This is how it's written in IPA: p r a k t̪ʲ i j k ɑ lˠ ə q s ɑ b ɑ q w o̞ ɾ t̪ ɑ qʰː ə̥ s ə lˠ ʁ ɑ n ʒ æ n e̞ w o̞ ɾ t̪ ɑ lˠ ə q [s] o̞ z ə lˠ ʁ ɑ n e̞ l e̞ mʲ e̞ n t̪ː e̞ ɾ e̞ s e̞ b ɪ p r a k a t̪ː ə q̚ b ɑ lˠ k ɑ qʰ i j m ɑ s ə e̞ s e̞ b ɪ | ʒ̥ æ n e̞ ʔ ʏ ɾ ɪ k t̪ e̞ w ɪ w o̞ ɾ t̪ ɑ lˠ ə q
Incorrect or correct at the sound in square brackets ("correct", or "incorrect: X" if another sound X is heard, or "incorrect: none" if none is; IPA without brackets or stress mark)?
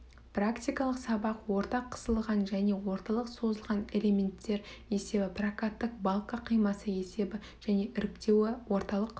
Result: correct